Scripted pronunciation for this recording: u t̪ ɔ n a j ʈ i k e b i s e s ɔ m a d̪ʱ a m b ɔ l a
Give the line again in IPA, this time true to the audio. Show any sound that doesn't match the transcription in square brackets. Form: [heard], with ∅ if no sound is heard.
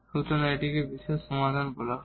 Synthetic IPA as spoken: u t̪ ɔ n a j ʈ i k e b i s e s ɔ m a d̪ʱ a [n] b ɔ l a